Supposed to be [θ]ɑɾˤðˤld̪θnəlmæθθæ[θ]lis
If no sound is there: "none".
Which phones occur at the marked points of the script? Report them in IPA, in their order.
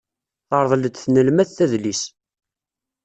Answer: θ, ð

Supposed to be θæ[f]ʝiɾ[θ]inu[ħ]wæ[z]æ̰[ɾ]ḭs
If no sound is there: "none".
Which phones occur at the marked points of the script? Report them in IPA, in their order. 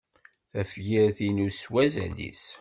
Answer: f, θ, s, z, l

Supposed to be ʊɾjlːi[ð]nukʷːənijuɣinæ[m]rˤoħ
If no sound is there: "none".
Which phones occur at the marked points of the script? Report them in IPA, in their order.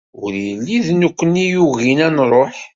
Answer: ð, n

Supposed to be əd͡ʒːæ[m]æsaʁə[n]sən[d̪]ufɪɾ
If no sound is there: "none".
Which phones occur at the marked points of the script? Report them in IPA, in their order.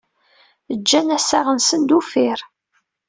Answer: n, n, d̪

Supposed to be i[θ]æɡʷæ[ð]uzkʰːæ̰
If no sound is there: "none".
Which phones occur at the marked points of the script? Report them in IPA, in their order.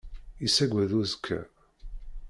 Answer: s, ð

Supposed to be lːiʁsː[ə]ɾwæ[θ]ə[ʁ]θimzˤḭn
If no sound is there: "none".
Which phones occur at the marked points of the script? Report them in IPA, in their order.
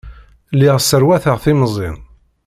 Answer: ə, θ, ʁ

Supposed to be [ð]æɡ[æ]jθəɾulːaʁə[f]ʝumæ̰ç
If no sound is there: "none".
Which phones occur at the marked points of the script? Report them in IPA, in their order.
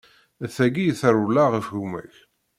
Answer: θ, i, f

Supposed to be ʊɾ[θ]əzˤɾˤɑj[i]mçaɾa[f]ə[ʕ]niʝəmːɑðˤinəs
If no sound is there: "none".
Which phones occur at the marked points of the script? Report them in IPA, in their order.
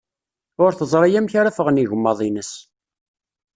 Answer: θ, æ, f, ʁ

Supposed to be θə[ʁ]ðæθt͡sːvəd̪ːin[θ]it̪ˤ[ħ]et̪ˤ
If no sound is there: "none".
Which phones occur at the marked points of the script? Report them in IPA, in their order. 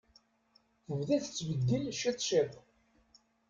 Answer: v, ʃ, ʃ

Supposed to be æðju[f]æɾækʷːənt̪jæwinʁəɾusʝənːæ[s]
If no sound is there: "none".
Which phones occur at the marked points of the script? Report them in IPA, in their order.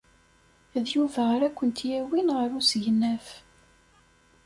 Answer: v, f

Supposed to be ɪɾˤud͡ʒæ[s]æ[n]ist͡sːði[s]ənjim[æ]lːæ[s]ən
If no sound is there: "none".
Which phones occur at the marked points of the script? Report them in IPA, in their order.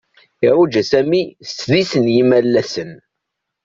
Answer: s, m, s, æ, s

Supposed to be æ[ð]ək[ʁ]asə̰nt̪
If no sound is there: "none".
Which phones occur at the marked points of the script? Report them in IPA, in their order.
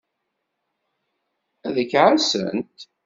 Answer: ð, ʕ

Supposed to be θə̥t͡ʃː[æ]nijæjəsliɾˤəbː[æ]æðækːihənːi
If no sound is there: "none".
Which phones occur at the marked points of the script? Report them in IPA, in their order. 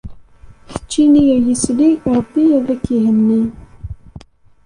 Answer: i, i

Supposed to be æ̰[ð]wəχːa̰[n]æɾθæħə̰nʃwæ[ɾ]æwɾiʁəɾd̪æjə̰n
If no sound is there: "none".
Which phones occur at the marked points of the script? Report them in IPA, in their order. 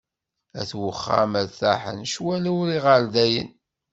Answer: θ, m, l

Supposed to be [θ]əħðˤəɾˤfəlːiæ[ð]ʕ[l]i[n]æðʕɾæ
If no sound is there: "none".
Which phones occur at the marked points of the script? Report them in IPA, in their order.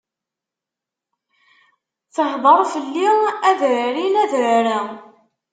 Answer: θ, ð, ɾ, n

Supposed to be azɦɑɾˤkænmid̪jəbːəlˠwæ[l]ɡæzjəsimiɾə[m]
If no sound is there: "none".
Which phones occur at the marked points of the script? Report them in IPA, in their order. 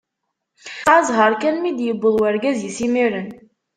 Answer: ɾ, n

